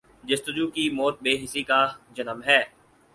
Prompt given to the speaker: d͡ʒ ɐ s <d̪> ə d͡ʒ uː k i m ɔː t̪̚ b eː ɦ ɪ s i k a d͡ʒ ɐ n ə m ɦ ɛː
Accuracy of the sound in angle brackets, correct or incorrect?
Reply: incorrect: t̪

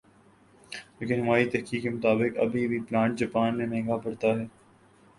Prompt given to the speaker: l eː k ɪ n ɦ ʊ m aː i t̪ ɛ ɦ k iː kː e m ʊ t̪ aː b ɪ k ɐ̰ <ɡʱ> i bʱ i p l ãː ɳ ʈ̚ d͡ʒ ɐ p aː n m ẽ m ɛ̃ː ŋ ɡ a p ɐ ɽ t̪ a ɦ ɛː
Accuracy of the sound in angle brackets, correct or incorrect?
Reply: incorrect: bʱ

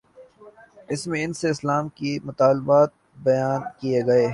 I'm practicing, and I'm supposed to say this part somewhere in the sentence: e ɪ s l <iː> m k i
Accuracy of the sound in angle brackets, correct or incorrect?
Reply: incorrect: aː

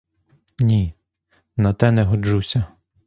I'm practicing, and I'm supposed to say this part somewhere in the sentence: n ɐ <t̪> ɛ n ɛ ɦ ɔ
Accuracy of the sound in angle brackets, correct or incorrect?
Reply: correct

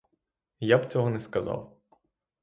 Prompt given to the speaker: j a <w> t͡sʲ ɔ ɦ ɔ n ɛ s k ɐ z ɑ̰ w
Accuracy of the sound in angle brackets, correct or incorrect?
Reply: incorrect: b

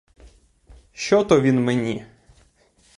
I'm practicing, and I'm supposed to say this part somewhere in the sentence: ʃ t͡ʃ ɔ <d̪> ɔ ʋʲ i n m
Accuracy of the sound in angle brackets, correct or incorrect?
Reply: incorrect: t̪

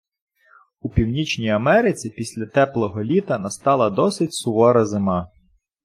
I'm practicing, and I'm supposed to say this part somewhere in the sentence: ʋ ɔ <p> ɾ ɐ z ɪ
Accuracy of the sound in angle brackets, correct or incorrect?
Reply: incorrect: none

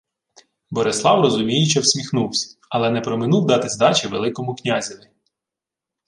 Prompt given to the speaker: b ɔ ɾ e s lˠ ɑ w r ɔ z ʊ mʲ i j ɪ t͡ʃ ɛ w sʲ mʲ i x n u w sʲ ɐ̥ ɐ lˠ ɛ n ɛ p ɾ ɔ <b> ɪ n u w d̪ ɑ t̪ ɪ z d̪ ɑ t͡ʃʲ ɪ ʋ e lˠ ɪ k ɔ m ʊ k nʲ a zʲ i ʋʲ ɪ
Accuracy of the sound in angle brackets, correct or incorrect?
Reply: incorrect: m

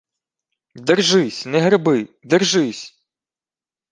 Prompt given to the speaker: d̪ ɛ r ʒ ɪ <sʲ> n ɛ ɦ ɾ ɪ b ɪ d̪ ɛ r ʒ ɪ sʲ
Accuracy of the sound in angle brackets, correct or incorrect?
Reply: correct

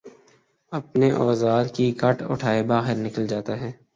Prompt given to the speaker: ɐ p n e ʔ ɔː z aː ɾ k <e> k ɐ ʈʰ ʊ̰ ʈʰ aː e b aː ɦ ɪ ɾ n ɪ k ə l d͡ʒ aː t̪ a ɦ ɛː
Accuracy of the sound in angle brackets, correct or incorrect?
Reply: incorrect: i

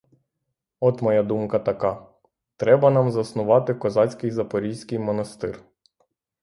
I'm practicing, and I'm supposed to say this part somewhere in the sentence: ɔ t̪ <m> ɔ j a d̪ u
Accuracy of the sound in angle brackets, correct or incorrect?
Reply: correct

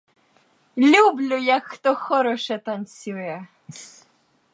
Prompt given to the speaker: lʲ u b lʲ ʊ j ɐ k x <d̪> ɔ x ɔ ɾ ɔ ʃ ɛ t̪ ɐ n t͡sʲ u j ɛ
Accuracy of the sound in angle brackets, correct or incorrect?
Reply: incorrect: t̪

